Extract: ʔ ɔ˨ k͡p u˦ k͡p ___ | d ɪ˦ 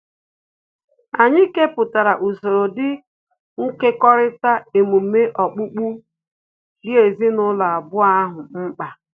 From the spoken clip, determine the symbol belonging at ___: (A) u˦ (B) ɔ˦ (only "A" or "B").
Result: A